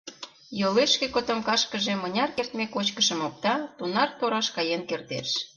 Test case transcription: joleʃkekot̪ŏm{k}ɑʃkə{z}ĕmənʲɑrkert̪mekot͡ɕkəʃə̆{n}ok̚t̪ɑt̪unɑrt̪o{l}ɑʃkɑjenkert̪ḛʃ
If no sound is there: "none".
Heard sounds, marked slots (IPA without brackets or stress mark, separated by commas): k, ʒ, m, ɾ